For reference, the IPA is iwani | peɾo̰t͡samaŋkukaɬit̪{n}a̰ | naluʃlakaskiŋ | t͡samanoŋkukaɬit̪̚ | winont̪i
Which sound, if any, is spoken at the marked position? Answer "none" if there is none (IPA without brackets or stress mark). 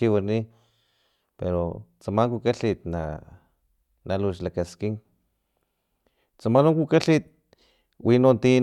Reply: n